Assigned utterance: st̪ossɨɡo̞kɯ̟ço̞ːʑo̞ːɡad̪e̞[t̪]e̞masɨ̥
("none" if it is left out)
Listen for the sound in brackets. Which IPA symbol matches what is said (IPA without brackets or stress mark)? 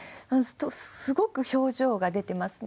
t̪